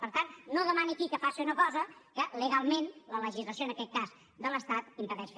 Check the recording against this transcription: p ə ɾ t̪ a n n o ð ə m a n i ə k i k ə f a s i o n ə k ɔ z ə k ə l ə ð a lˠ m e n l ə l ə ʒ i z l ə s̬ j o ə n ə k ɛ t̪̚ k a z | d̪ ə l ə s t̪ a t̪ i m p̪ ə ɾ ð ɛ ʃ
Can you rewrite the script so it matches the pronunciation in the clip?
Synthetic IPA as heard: p ə ɾ t̪ a n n o ð ə m a n i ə k i k ə f a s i u n ə k ɔ z ə k ə l ə ɣ a lˠ m e n l ə l ə ʒ i z l ə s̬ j o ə n ə k ɛ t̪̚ k a z | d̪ ə l ə s t̪ a t̪ i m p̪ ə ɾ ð ɛ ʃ